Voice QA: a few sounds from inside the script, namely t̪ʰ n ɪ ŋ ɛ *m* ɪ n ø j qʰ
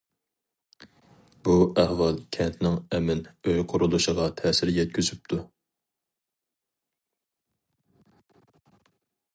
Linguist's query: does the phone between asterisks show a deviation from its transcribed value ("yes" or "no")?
no